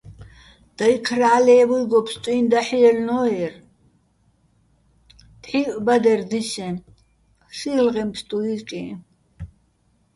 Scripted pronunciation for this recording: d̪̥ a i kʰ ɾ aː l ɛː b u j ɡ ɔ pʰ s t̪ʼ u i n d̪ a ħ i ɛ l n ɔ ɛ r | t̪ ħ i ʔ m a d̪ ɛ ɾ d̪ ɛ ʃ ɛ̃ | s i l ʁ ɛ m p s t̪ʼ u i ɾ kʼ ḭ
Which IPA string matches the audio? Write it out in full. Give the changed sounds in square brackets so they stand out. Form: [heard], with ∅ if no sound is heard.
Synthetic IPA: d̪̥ a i kʰ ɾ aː l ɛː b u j ɡ ɔ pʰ s t̪ʼ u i n d̪ a ħ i ɛ l n ɔ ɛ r | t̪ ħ i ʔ [b] a d̪ ɛ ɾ d̪ [i] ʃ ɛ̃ | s i l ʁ ɛ m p s t̪ʼ u i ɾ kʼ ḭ